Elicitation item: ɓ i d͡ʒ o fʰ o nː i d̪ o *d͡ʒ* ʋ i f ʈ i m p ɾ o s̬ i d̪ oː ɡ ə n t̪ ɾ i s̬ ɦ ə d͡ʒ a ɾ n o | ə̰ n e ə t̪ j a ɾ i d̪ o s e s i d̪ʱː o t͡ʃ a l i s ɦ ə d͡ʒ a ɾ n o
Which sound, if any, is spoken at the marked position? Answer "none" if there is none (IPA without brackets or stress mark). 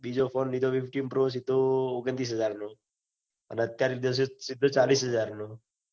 none